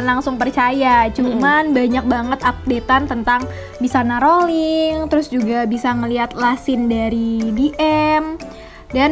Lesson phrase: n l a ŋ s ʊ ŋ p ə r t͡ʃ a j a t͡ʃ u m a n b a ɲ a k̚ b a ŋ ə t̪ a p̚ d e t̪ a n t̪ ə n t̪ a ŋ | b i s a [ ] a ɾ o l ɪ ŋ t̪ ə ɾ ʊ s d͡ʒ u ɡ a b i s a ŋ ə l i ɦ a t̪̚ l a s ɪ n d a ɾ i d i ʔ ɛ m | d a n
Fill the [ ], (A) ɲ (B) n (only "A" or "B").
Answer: B